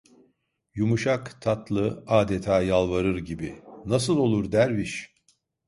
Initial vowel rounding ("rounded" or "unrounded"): rounded